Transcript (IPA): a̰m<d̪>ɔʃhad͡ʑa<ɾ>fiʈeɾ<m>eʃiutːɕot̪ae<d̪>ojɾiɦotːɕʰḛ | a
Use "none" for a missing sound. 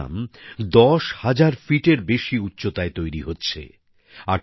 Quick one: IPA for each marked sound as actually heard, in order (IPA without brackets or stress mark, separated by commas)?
d̪, ɾ, b, t̪